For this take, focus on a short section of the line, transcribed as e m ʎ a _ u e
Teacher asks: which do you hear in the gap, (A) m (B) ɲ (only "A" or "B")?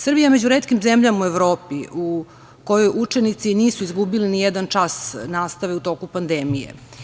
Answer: A